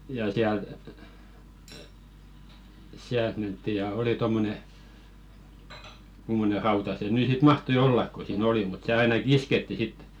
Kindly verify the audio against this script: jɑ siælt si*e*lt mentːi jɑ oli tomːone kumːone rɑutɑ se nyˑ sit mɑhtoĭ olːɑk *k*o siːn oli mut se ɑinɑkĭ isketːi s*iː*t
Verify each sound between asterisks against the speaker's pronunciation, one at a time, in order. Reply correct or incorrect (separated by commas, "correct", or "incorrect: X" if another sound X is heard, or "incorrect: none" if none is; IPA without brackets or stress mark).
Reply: incorrect: æ, correct, incorrect: i